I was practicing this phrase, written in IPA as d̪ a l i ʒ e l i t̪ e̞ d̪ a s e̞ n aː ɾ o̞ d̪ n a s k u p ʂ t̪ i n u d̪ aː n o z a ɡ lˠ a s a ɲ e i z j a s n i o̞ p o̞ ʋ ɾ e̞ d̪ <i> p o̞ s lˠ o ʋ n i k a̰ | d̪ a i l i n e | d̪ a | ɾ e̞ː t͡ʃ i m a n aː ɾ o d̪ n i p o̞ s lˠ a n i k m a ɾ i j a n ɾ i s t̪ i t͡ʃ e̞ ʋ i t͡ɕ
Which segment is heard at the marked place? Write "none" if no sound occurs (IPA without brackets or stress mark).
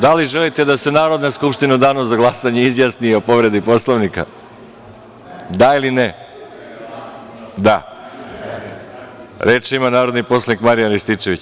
i